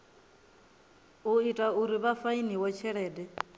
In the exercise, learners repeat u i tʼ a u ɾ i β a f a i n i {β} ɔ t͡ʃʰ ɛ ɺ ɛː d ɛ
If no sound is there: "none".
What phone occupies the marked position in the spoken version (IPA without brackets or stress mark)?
w